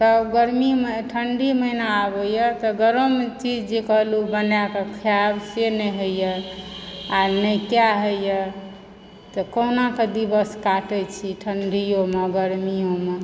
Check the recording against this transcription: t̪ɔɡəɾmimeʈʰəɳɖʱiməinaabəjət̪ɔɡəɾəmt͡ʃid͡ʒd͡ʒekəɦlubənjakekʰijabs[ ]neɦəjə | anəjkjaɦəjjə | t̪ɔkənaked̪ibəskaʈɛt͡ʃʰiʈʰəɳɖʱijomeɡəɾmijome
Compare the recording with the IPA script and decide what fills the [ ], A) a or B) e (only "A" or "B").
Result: B